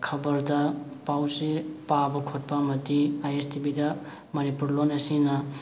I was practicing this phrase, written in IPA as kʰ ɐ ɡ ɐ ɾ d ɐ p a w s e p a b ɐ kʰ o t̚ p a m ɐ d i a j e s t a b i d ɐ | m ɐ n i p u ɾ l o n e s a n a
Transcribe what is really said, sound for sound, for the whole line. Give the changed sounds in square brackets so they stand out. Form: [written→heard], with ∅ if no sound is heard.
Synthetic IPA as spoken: kʰ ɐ [ɡ→b] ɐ ɾ d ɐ p a w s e p a b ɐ kʰ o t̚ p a m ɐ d i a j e s t [a→i] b i d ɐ | m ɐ n i p u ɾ l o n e s [a→i] n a